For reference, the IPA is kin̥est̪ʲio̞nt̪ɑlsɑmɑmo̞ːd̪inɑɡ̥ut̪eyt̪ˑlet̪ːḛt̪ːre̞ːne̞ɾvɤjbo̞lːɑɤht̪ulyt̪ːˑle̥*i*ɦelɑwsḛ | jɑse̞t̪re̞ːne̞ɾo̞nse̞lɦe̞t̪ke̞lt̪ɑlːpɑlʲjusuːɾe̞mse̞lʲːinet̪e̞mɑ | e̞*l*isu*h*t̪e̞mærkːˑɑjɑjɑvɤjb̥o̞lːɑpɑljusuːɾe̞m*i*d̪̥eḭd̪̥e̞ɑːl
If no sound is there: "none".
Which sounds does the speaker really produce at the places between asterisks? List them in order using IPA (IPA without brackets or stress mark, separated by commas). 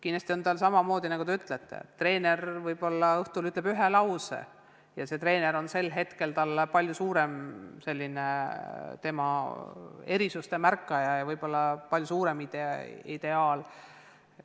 y, ɾ, s, i